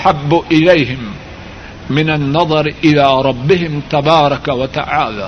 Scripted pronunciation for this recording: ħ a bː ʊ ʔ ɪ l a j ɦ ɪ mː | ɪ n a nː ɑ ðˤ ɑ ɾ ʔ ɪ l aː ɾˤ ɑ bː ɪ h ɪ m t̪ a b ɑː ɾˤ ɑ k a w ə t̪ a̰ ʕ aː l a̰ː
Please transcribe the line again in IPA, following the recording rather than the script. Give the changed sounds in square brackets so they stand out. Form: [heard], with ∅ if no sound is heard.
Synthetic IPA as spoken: ħ a bː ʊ ʔ ɪ l a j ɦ ɪ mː | ɪ n a nː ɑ ðˤ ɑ ɾ ʔ ɪ l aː ɾˤ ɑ bː ɪ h ɪ m t̪ a b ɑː ɾˤ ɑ k a w [a] t̪ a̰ ʕ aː l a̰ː